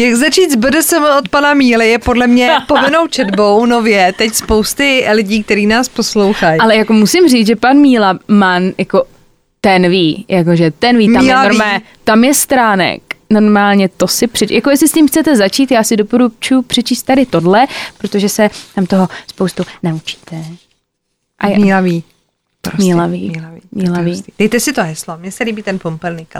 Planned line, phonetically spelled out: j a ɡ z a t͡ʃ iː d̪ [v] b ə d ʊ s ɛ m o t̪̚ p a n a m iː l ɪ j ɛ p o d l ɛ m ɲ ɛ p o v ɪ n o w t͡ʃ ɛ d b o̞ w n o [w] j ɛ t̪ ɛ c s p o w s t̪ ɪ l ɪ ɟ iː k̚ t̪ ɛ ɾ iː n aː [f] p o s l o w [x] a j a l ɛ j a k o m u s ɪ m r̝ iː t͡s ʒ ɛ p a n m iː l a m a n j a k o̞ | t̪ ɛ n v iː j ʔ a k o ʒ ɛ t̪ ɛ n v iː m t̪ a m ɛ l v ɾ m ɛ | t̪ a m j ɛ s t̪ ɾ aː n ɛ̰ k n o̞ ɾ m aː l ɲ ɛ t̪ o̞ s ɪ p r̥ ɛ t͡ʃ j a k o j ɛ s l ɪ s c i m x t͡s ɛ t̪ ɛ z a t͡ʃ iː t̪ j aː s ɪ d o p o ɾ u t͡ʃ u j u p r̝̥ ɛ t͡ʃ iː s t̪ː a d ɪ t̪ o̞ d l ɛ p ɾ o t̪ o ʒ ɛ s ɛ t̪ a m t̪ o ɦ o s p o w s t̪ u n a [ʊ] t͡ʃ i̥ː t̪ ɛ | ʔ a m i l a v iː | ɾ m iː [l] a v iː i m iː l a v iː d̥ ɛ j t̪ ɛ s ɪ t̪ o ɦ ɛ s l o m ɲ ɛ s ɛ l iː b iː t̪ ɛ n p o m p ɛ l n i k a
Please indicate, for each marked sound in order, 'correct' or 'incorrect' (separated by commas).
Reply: incorrect, incorrect, incorrect, correct, incorrect, correct